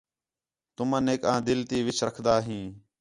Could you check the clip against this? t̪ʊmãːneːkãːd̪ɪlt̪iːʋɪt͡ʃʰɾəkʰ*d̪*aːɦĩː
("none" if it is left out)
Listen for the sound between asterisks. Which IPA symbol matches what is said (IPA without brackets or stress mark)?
d̪